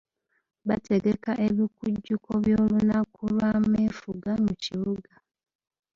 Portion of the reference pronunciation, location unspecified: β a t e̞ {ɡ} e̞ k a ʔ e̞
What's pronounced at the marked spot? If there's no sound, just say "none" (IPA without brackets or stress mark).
ɡ